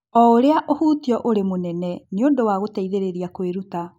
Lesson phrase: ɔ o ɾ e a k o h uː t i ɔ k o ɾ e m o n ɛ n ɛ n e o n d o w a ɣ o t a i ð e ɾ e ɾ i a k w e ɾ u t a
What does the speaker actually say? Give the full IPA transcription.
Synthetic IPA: ɔ o ɾ e a ʔ o h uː t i ɔ ʔ o ɾ e m o n ɛ n ɛ n e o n d o w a ɣ o t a i ð e ɾ e ɾ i a k w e ɾ u t a